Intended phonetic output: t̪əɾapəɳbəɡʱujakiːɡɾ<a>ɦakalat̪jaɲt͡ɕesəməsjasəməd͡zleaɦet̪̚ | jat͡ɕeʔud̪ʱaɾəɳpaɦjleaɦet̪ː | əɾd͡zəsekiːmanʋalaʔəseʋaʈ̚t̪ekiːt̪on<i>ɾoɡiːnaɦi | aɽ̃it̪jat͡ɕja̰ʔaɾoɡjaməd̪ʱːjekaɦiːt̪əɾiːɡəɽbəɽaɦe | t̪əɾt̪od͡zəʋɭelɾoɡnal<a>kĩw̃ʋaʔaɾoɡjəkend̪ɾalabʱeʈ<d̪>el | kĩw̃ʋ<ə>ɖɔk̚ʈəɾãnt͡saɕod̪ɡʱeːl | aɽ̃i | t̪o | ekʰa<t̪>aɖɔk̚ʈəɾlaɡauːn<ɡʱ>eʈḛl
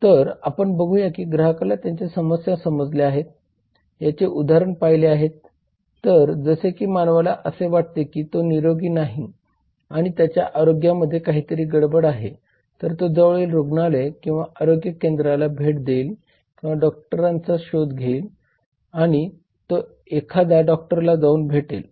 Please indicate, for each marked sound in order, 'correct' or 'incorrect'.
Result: incorrect, correct, incorrect, correct, incorrect, incorrect, incorrect

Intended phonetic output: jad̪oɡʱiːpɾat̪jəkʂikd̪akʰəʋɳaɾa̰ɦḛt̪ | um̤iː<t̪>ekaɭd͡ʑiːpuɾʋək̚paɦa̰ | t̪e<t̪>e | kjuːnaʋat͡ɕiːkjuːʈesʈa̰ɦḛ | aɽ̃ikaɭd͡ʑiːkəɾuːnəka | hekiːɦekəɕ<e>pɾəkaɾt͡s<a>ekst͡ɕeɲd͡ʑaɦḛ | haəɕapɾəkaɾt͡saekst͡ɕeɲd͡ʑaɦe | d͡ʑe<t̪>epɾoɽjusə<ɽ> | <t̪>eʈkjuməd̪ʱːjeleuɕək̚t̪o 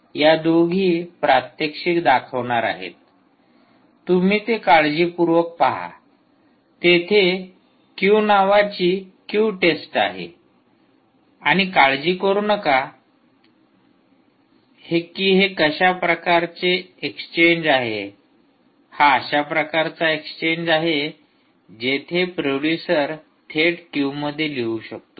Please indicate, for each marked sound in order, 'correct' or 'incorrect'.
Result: correct, incorrect, incorrect, incorrect, incorrect, incorrect, incorrect

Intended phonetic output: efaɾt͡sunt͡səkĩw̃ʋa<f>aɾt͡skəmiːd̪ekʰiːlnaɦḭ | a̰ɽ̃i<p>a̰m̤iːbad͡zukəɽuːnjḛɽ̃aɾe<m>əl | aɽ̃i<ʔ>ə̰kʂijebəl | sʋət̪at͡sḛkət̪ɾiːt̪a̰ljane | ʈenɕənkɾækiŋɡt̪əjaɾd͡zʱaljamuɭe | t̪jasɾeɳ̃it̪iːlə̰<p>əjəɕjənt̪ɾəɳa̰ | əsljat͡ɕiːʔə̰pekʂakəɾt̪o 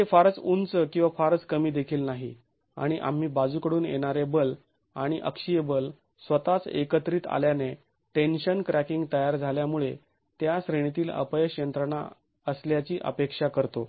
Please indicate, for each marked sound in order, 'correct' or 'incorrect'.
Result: correct, incorrect, incorrect, correct, correct

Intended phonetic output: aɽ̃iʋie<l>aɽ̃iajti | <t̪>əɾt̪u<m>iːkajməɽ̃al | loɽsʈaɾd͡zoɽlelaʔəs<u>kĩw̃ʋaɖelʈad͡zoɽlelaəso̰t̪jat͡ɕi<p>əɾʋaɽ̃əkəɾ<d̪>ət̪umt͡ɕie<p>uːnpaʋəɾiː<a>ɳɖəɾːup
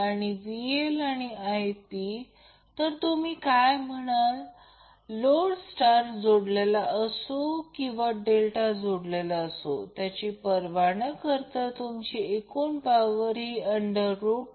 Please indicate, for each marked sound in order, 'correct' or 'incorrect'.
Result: correct, correct, correct, incorrect, correct, incorrect, incorrect, incorrect

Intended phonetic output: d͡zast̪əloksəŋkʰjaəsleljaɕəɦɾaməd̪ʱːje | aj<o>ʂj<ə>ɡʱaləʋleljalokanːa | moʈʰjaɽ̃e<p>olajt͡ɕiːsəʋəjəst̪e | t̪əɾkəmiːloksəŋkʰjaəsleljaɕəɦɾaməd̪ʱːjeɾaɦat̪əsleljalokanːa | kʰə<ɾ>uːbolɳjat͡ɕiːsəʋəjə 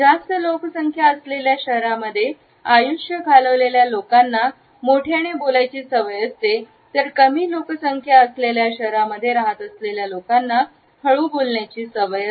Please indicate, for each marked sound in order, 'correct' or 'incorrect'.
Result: incorrect, correct, incorrect, incorrect

